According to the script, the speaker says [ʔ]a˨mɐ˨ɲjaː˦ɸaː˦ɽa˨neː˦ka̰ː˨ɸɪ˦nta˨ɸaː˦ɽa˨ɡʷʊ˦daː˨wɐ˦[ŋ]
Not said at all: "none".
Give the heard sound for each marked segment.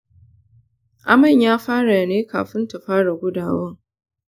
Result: ʔ, ŋ

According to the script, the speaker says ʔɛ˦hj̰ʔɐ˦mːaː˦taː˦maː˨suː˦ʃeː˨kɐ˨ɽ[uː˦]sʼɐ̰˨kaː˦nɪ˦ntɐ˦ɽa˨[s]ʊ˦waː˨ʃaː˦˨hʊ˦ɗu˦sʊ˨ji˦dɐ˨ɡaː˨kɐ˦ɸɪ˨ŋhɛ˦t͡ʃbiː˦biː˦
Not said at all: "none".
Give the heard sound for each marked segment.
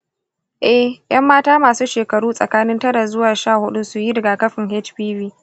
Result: uː˦, z

